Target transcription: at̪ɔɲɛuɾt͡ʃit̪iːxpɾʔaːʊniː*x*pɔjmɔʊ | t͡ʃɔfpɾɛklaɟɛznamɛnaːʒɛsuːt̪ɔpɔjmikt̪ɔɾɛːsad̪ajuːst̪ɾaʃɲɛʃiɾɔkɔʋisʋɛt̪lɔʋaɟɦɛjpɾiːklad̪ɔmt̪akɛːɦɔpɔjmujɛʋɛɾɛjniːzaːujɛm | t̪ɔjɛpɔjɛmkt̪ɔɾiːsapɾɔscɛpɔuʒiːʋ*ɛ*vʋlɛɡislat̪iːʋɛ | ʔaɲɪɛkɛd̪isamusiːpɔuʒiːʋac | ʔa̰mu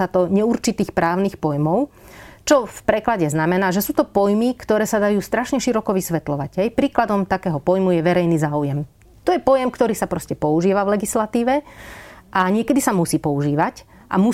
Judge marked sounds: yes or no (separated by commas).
yes, no